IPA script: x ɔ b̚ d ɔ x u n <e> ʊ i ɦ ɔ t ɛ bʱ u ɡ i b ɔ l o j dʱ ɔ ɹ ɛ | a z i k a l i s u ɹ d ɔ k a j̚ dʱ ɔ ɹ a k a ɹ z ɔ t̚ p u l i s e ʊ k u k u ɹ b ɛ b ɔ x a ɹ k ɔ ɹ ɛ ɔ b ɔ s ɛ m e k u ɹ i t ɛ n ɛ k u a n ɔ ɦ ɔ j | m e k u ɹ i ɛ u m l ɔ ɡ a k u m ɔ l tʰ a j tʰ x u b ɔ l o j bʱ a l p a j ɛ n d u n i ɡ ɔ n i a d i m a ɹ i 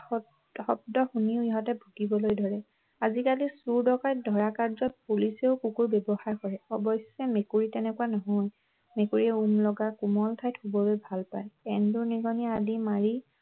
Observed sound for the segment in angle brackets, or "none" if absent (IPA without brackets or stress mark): i